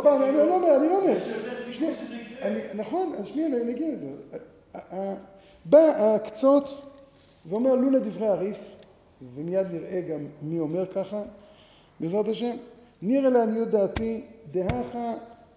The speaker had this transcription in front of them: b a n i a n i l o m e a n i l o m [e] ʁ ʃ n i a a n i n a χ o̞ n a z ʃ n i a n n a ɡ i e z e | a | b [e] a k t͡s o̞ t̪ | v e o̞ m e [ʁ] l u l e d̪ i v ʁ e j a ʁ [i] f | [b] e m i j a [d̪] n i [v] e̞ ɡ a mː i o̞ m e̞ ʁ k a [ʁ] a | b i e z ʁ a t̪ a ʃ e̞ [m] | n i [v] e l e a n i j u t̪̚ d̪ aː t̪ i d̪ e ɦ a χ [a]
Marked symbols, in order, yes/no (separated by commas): yes, no, yes, yes, no, yes, no, no, yes, no, yes